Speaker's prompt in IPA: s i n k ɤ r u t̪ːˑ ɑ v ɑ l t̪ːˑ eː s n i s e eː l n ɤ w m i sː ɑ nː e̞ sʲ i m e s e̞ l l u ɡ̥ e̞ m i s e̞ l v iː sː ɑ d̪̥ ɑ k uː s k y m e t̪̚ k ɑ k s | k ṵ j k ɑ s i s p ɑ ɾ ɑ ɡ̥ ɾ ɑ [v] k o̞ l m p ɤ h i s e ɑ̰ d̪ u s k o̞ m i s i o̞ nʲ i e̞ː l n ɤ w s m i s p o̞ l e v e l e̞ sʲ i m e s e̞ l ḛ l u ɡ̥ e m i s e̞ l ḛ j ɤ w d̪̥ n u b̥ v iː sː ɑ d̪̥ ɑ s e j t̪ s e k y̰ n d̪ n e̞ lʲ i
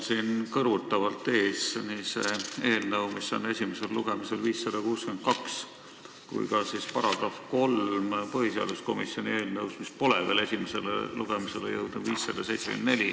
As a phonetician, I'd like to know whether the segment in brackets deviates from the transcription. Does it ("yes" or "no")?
yes